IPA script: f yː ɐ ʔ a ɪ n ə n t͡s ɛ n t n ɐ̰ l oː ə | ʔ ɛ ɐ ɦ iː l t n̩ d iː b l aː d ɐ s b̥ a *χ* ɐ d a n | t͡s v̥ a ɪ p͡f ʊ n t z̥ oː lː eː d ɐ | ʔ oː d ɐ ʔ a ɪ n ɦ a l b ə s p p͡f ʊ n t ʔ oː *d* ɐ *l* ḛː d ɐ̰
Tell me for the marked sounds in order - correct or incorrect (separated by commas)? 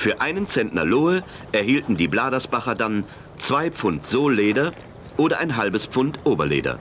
correct, incorrect, correct